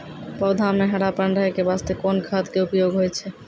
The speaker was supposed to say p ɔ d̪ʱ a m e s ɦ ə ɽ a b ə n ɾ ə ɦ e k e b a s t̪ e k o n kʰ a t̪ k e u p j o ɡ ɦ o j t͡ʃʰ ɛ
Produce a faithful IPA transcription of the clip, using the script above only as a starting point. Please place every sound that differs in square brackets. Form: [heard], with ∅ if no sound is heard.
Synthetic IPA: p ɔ d̪ʱ a m e [∅] ɦ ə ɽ a [p] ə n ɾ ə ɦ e k e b a s t̪ e k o n kʰ a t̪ k e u p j o ɡ ɦ o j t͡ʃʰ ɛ